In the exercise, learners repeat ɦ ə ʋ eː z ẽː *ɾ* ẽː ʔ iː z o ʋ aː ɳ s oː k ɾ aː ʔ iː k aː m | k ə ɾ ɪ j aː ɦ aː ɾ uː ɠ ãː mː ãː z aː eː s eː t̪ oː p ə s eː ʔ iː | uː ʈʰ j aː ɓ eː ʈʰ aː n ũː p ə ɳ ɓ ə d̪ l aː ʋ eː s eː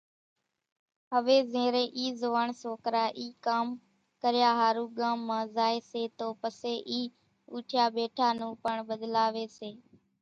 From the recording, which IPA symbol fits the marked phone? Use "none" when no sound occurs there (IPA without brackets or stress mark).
ɾ